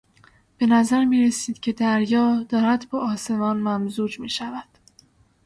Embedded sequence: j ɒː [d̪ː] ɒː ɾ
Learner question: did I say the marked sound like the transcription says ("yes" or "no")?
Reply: no